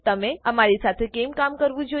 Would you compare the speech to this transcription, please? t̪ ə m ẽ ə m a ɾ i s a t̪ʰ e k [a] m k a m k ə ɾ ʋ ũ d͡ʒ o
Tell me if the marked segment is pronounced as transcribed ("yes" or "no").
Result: no